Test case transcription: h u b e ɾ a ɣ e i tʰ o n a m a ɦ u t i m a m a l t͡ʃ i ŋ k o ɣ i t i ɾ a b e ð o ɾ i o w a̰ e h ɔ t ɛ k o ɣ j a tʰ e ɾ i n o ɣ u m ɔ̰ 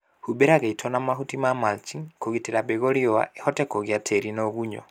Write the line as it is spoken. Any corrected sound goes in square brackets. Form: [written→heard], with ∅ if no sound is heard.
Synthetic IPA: h u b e ɾ a ɣ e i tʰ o n a m a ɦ u t i m a m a l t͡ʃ i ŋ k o ɣ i t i ɾ a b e [ð→ɣ] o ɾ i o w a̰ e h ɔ t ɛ k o ɣ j a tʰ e ɾ i n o ɣ u [m→ɲ] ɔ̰